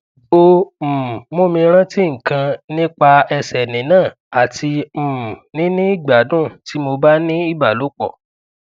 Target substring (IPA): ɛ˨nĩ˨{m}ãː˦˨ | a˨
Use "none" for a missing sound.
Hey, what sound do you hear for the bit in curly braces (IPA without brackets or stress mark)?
n